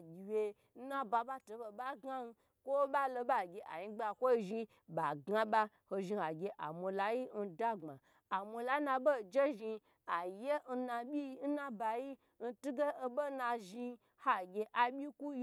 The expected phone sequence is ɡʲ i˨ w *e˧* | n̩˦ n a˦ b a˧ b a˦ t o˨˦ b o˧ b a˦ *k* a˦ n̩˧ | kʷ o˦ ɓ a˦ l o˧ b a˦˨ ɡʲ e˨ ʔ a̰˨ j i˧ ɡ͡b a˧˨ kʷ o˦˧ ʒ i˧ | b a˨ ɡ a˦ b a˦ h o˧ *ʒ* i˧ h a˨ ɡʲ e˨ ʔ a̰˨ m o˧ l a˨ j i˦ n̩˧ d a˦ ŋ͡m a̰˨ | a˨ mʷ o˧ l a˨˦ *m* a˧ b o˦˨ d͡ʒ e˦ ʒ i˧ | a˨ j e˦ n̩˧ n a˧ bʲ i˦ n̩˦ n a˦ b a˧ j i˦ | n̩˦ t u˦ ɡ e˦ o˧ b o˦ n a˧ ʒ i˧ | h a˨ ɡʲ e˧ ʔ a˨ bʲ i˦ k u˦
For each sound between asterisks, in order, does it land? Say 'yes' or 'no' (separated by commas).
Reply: yes, no, yes, no